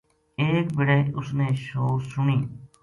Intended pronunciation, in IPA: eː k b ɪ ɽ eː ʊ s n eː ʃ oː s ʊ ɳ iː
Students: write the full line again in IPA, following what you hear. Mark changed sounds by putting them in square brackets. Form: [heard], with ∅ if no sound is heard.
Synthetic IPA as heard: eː k b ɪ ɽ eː ʊ s n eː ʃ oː s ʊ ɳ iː